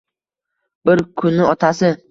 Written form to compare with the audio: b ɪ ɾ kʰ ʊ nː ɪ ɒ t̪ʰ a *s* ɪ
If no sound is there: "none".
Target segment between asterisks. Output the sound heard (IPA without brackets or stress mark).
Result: s